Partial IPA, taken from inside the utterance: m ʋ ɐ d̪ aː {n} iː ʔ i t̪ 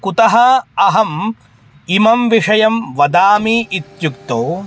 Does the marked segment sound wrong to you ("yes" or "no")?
yes